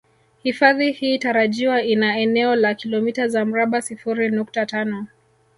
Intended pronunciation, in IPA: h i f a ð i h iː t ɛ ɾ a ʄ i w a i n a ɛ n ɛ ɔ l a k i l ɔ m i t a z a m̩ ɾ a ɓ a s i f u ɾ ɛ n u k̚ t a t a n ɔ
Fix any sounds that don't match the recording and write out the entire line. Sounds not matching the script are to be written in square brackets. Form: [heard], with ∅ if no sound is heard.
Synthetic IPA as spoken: h i f a ð i h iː t [a] ɾ a ʄ i w a i n a ɛ n ɛ ɔ l a k i l ɔ m i t a z a m̩ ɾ a ɓ a s i f u ɾ [i] n u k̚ t a t a n ɔ